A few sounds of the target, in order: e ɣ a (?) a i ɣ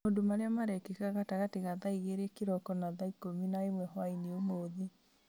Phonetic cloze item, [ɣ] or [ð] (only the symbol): ð